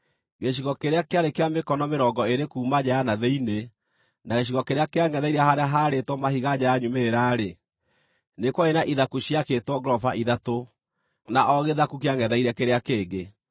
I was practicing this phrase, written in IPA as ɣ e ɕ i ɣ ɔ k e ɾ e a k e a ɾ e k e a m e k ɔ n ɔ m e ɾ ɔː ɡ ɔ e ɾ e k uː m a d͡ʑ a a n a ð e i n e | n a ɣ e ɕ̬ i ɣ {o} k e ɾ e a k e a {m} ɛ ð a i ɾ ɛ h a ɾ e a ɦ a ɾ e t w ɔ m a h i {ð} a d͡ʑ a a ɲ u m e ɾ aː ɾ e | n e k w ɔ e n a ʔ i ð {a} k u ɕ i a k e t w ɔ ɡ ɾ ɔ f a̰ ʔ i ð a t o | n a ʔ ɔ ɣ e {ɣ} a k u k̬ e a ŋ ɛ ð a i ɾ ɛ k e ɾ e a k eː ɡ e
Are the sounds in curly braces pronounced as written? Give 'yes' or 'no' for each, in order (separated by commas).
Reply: no, no, no, yes, no